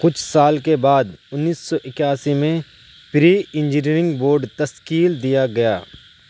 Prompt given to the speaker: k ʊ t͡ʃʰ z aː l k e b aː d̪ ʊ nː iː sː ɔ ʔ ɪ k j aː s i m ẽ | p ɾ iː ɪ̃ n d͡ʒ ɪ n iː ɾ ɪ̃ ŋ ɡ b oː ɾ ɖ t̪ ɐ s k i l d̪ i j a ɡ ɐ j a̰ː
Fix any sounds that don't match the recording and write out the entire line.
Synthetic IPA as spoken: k ʊ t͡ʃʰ s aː l k e b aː d̪ ʊ nː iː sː ɔ ʔ ɪ k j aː s i m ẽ | p ɾ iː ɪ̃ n d͡ʒ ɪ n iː ɾ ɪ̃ ŋ ɡ b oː ɾ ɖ t̪ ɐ s k iː l d̪ i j a ɡ ɐ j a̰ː